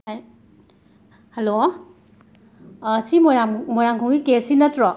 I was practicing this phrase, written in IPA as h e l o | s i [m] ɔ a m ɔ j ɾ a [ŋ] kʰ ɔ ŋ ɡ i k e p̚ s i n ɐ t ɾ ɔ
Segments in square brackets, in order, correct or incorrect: correct, correct

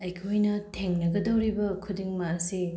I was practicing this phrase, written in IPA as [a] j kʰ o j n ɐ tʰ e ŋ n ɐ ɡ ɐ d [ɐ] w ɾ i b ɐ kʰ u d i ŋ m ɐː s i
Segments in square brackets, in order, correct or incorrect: incorrect: ɐ, correct

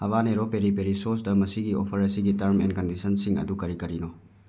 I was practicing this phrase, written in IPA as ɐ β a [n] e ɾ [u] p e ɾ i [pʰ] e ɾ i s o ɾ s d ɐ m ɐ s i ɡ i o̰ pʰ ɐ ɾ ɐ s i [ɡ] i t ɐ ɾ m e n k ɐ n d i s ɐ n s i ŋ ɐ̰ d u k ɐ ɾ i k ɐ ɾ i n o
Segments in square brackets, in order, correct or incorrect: correct, incorrect: o, incorrect: p, correct

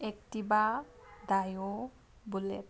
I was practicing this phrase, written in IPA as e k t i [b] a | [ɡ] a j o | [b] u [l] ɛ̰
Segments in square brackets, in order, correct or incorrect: correct, incorrect: d, correct, correct

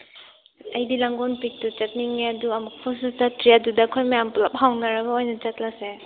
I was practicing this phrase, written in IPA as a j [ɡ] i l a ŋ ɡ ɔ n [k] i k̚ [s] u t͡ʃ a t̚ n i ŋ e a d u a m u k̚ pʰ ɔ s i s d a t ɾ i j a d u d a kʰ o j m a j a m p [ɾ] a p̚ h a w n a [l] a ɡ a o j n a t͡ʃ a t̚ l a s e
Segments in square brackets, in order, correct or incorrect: incorrect: d, incorrect: p, incorrect: t, incorrect: l, incorrect: ɾ

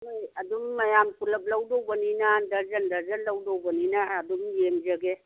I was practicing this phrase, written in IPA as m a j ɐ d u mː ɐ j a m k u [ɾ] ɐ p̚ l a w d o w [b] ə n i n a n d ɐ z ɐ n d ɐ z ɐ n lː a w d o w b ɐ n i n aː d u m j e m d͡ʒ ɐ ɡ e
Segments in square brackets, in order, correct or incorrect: incorrect: l, correct

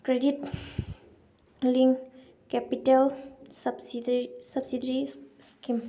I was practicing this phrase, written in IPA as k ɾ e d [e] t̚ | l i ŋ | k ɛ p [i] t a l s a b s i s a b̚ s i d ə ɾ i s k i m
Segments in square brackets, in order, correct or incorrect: incorrect: i, correct

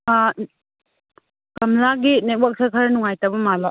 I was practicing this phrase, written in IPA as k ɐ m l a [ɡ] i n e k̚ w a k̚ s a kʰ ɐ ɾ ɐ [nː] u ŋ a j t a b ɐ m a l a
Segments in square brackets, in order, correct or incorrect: correct, incorrect: n

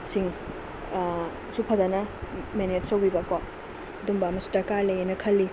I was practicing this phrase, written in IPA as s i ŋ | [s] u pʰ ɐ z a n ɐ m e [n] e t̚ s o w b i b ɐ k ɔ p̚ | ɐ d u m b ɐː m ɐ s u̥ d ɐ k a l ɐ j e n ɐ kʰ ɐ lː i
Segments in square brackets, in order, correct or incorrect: correct, correct

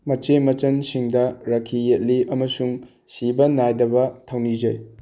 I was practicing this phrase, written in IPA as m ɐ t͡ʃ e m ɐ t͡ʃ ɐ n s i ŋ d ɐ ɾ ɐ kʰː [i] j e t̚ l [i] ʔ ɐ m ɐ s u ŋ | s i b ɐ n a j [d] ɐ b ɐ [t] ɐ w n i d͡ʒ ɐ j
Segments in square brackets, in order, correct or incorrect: correct, correct, correct, incorrect: tʰ

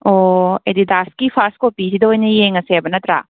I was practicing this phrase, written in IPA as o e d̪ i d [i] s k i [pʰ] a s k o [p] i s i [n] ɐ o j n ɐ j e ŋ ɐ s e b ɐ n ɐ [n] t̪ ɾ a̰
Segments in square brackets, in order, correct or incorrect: incorrect: a, correct, correct, incorrect: d, incorrect: none

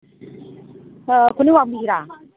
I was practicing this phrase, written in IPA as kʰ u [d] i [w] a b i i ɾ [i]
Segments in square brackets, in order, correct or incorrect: incorrect: n, correct, incorrect: a

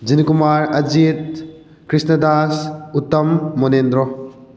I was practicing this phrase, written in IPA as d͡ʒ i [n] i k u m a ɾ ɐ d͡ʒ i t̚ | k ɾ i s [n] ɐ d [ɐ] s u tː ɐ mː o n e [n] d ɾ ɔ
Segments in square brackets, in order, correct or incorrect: correct, correct, incorrect: a, correct

